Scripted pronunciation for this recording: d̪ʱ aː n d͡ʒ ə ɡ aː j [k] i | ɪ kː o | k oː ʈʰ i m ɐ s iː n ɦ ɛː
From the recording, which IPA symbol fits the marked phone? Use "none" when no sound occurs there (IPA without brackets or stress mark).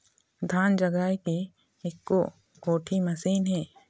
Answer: k